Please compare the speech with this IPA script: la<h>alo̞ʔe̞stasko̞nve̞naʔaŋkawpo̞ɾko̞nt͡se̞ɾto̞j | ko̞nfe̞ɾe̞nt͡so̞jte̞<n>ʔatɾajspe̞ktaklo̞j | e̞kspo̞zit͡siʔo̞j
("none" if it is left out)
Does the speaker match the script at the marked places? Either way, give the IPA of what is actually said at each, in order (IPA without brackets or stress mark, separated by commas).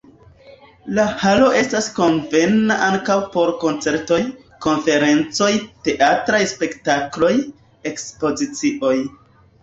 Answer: h, none